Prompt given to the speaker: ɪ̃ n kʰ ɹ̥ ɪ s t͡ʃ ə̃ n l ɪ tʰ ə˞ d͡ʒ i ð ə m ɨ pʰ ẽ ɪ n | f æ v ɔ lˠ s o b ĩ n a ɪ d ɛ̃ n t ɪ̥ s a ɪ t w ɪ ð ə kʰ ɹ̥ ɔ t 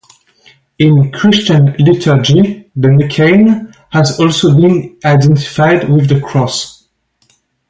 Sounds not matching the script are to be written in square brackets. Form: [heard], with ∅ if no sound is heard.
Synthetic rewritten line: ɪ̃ n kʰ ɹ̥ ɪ s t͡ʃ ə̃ n l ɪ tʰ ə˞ d͡ʒ i ð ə m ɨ [kʰ] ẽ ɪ n | [h] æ [z] ɔ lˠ s o b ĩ n a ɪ d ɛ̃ n t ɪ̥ [f] a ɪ [d] w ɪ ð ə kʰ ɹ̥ ɔ [s]